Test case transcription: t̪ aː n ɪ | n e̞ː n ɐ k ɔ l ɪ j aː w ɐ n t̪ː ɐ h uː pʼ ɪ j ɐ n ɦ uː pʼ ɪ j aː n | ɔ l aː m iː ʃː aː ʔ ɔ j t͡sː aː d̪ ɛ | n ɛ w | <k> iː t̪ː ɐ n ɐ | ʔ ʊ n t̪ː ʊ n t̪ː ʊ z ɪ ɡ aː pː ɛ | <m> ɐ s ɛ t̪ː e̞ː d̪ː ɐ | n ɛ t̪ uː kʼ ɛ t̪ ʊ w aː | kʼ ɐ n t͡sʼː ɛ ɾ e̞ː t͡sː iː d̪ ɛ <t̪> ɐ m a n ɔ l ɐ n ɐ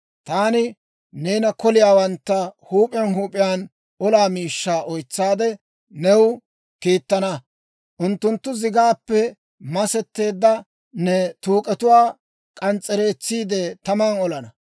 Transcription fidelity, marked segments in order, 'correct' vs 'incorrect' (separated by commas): correct, correct, correct